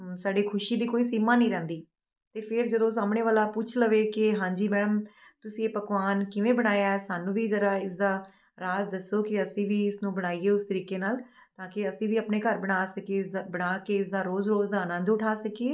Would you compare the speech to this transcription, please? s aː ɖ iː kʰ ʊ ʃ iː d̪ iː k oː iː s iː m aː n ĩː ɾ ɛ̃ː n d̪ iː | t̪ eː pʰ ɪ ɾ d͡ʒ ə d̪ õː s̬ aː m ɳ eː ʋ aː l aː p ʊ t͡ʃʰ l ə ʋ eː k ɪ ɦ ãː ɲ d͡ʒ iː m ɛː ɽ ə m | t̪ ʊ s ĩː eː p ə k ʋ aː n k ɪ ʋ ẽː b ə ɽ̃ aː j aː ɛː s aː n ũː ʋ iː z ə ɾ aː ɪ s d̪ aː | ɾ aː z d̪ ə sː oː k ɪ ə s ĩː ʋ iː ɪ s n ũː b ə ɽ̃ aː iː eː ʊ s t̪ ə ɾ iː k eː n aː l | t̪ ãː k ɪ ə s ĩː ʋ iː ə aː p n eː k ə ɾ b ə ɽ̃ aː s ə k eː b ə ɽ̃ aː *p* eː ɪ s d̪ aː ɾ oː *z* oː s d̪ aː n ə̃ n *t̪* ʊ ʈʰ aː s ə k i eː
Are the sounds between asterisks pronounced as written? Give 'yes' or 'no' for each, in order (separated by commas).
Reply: no, yes, no